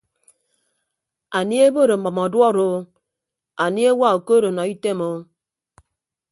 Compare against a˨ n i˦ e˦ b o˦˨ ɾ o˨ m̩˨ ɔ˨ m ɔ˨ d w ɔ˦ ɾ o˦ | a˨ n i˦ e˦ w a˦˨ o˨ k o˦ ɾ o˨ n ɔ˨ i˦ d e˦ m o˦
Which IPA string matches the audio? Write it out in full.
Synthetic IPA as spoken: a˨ n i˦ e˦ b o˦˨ ɾ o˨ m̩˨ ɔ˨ m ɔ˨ d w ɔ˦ ɾ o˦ | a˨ n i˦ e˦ w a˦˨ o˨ k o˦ ɾ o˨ n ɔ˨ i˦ t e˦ m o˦

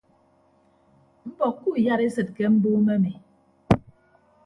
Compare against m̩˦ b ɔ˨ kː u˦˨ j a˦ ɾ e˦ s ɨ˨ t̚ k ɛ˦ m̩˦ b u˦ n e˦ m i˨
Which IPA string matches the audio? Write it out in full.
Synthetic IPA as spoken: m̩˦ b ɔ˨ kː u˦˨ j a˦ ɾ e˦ s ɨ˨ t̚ k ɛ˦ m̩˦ b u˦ m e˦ m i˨

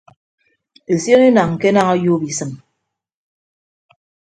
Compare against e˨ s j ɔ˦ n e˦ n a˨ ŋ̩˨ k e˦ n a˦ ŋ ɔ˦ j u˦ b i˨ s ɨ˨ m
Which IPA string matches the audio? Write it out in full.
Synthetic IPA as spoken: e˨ s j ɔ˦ n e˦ n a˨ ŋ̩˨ k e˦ n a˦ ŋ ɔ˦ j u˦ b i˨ s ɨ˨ m

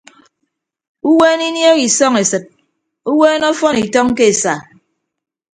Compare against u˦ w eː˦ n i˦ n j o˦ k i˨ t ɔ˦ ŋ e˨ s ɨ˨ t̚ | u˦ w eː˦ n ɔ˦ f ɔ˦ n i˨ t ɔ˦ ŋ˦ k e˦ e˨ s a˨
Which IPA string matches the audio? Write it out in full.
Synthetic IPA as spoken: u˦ w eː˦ n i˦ n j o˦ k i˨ s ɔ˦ ŋ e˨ s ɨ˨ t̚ | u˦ w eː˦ n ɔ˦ f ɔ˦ n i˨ t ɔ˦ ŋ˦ k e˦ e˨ s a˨

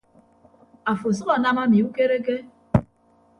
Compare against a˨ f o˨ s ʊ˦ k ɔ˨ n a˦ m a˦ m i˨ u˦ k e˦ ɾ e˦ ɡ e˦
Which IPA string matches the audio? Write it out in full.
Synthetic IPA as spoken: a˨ f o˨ s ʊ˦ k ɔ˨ n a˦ m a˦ m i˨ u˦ k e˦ ɾ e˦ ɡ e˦

